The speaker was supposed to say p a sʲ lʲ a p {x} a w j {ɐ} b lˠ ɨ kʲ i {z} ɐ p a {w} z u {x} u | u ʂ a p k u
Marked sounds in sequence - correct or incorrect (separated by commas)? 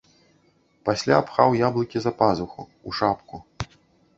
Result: correct, incorrect, correct, incorrect, correct